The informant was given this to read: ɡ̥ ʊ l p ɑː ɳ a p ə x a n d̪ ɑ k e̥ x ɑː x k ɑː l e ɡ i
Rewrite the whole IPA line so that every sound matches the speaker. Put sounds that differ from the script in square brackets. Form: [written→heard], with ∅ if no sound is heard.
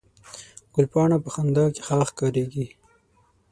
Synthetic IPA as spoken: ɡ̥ ʊ l p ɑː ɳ a p ə x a n d̪ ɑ k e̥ x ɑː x k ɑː [l→ɾ] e ɡ i